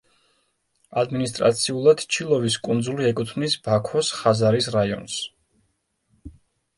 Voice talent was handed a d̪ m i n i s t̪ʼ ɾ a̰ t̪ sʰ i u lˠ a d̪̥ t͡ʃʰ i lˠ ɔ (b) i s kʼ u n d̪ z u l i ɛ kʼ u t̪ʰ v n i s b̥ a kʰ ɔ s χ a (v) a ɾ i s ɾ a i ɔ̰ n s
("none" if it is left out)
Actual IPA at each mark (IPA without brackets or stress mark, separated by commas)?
v, z